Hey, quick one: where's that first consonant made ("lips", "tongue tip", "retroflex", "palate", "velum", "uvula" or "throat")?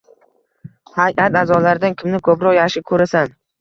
throat